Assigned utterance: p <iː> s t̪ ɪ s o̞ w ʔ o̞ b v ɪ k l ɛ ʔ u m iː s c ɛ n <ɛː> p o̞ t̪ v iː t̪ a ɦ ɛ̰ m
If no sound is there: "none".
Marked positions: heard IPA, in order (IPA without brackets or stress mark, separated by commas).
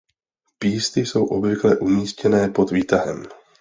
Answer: iː, ɛː